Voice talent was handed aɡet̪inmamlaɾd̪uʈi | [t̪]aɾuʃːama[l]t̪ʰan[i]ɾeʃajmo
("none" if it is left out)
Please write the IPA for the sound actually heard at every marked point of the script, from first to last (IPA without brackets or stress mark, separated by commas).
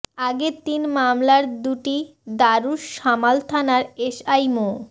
d̪, l, a